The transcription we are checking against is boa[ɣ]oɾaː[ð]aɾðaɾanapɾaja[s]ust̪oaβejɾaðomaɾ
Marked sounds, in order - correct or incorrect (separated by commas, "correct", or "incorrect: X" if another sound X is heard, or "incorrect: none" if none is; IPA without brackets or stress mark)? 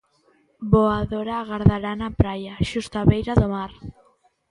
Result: incorrect: ð, incorrect: ɣ, incorrect: ʃ